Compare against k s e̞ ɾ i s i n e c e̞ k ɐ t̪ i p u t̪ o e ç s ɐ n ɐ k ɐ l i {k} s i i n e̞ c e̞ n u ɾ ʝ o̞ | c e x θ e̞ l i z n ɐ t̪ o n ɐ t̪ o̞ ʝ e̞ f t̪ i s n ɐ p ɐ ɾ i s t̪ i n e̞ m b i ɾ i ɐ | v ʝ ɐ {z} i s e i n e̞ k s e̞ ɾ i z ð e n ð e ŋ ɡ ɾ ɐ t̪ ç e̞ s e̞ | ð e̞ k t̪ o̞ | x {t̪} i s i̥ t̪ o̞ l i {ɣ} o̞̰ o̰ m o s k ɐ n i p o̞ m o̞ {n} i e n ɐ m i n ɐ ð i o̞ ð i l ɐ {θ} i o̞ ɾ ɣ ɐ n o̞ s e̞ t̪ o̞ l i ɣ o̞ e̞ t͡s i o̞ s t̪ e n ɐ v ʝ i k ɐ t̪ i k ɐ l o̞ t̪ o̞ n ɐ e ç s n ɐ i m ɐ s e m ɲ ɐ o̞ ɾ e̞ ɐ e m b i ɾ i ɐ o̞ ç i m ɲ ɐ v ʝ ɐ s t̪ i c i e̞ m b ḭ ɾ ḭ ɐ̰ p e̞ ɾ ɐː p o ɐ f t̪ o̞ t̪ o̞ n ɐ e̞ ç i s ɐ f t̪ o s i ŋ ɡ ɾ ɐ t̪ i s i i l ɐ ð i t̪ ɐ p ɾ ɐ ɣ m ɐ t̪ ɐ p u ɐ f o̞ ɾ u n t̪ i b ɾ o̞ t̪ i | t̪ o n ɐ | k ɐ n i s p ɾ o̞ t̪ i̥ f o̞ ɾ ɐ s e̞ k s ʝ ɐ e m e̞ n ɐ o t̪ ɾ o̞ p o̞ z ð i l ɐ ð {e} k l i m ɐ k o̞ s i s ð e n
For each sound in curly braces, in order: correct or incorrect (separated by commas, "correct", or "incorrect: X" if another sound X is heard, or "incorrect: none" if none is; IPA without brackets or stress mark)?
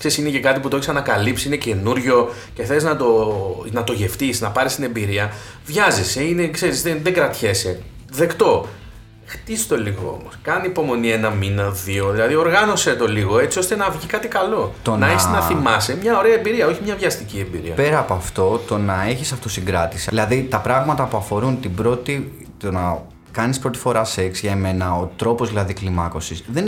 incorrect: p, correct, correct, correct, correct, incorrect: ð, incorrect: i